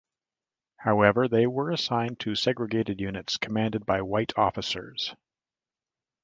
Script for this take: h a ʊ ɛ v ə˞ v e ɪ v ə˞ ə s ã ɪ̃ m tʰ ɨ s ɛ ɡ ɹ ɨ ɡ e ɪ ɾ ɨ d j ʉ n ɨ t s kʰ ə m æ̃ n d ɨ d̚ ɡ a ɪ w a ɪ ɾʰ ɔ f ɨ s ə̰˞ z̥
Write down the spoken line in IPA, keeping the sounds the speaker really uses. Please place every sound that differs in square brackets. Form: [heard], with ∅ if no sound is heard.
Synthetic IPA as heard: h a ʊ ɛ v ə˞ [ð] e ɪ [w] ə˞ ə s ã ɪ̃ [n] tʰ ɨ s ɛ ɡ ɹ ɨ ɡ e ɪ ɾ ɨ d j ʉ n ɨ t s kʰ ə m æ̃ n d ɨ d̚ [b] a ɪ w a ɪ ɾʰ ɔ f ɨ s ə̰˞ z̥